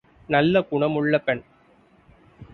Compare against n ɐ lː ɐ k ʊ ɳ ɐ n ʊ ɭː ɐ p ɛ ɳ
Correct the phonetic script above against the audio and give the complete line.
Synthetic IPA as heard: n ɐ lː ɐ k ʊ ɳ ɐ m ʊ ɭː ɐ p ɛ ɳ